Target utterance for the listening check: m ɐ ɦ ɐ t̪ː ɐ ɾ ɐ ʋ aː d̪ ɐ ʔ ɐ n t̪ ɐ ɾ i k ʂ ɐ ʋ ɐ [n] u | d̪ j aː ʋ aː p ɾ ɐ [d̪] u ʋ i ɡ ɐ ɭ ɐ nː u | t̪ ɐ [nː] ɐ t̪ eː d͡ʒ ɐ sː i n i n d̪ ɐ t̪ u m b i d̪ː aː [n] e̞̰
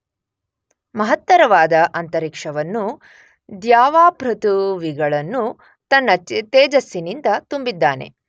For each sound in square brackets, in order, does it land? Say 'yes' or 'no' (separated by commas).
no, no, yes, yes